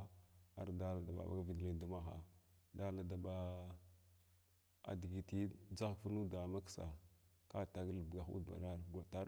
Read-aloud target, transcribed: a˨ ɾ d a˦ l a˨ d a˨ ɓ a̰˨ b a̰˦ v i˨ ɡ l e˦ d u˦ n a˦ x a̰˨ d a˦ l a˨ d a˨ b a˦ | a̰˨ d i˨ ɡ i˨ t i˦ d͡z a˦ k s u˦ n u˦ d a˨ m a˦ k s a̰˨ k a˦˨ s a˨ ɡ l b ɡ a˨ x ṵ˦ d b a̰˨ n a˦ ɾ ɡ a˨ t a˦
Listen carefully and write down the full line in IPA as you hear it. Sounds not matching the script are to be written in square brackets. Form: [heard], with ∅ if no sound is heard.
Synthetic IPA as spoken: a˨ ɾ d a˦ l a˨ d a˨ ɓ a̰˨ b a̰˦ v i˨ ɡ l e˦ d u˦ [m] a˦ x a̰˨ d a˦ l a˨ d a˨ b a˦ | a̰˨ d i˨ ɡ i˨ t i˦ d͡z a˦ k [f] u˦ n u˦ d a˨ m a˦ k s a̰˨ k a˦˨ [t] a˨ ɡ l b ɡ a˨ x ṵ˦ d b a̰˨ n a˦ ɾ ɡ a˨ t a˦

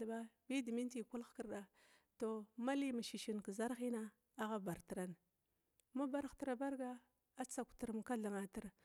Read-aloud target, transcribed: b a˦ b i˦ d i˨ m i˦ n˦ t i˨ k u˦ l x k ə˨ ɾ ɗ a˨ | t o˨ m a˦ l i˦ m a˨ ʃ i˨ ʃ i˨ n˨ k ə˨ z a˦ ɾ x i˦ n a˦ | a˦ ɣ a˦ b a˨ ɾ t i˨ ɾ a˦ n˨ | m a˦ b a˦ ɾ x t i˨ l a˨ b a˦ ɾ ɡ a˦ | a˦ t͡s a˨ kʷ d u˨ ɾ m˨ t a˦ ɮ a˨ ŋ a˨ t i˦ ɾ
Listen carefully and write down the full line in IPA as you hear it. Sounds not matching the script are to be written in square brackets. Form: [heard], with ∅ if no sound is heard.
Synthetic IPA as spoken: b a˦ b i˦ d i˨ m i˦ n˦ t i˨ k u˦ l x k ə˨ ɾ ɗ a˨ | t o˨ m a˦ l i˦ m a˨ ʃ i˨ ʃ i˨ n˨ k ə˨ z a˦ ɾ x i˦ n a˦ | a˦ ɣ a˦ b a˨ ɾ t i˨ ɾ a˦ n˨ | m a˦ b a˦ ɾ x t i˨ [ɾ] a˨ b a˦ ɾ ɡ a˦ | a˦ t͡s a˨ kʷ [t] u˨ ɾ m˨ [k] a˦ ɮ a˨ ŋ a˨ t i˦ ɾ

